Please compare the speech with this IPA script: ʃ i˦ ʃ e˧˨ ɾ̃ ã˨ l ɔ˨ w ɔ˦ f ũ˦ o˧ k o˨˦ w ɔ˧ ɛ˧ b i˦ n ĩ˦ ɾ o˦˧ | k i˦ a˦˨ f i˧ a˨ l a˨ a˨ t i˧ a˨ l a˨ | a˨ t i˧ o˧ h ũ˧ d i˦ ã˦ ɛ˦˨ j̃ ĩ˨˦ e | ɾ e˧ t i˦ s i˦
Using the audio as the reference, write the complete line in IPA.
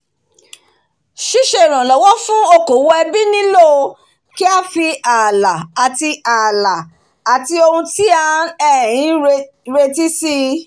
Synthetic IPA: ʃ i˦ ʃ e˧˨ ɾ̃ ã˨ l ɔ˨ w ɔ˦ f ũ˦ o˧ k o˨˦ w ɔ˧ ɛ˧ b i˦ n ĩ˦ l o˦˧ | k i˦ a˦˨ f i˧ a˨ l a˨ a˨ t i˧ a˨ l a˨ | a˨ t i˧ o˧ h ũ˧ t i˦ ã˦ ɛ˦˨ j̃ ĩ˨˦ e | ɾ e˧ t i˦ s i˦